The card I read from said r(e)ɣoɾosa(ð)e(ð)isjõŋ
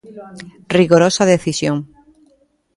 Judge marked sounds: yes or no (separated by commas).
no, yes, no